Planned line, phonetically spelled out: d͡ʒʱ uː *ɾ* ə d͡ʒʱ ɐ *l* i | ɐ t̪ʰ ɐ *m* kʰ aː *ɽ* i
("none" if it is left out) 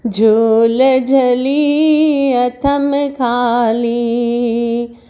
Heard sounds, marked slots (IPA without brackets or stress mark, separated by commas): l, l, m, l